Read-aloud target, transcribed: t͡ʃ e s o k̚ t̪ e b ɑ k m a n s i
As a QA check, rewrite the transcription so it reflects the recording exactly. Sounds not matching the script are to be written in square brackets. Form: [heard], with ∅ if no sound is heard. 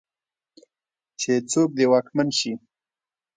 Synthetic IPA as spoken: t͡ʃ e [t͡s] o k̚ [d̪] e [w] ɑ k m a n [ʃ] i